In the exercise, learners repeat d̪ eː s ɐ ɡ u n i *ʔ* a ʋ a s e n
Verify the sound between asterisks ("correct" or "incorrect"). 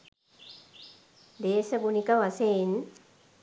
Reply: incorrect